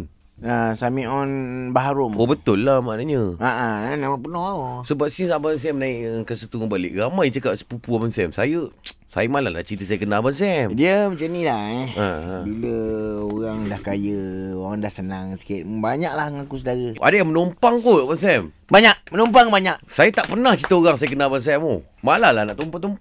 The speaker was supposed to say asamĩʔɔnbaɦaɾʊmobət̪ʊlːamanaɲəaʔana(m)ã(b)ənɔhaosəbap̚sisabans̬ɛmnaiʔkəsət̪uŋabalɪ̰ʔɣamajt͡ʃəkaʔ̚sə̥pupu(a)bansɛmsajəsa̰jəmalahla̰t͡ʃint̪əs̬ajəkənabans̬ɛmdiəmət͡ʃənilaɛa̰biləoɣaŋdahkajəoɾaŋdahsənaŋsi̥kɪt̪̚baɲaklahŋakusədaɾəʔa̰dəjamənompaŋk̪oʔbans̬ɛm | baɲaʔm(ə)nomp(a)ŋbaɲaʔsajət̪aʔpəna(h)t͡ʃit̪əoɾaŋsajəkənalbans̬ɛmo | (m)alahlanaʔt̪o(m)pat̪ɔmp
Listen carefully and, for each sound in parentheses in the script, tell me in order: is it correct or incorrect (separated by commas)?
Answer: correct, incorrect, correct, correct, correct, correct, correct, correct